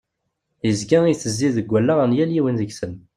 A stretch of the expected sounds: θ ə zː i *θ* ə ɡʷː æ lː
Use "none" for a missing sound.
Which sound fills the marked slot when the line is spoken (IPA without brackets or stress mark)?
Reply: ð